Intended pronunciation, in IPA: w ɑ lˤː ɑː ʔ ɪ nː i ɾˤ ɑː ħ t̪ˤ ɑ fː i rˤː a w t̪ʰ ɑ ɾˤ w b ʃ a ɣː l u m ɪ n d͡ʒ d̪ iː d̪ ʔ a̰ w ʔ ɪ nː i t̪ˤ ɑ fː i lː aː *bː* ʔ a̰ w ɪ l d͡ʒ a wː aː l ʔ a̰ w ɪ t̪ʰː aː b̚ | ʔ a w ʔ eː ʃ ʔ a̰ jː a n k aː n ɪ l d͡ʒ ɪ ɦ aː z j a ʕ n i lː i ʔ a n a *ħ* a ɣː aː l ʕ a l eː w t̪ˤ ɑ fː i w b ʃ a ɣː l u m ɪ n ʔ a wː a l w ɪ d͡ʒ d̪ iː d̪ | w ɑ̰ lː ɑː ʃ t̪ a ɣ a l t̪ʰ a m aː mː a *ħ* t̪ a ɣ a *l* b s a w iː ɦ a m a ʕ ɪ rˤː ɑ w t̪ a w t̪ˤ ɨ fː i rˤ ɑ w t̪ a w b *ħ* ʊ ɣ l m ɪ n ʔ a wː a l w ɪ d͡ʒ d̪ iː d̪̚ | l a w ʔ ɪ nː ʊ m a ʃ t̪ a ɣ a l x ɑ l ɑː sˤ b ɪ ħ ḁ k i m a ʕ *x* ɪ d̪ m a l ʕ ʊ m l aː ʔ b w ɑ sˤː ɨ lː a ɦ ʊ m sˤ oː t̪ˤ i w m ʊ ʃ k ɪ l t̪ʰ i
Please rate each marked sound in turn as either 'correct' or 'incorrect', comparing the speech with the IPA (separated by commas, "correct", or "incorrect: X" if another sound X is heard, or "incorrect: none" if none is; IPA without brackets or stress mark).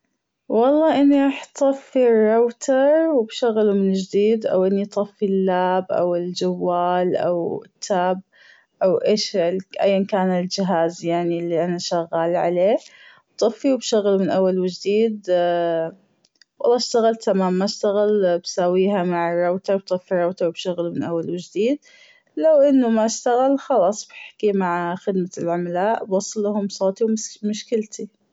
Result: incorrect: b, incorrect: ʃ, incorrect: ʃ, correct, incorrect: ʃ, correct